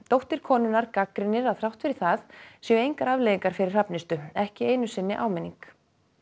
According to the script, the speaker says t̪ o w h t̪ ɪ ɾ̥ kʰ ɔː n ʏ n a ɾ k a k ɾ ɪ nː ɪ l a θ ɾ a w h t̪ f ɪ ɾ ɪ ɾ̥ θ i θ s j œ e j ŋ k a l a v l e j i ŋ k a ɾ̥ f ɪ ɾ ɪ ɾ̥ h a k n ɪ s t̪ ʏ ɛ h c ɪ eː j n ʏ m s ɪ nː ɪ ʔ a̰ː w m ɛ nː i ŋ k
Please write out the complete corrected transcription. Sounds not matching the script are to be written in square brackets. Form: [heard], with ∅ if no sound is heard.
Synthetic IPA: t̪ o w h t̪ ɪ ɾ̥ kʰ ɔː n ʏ n a ɾ k a k ɾ ɪ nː ɪ [ɾ] a θ ɾ a w h t̪ f ɪ ɾ ɪ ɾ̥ θ [a] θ s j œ e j ŋ k a [ɾ] a v l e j i ŋ k a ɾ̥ f ɪ ɾ ɪ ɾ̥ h a [p] n ɪ s t̪ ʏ ɛ h c ɪ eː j n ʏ [∅] s ɪ nː ɪ ʔ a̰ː w m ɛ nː i ŋ k